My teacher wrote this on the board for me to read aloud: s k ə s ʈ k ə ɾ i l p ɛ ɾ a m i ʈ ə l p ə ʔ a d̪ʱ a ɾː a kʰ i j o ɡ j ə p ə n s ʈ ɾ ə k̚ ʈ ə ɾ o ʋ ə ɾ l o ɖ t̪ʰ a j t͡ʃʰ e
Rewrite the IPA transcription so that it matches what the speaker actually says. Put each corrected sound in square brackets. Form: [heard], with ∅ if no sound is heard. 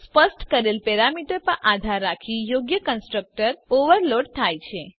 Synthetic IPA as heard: s [p] ə s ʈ k ə ɾ [e] l p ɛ ɾ a m i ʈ ə [ɾ] p ə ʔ a d̪ʱ a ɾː a kʰ i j o ɡ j ə [k] ə n s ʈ ɾ ə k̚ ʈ ə ɾ o ʋ ə ɾ l o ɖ t̪ʰ a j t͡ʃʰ e